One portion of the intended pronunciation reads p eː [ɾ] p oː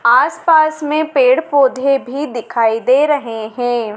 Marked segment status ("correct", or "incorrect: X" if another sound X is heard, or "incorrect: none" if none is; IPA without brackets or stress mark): incorrect: ɽ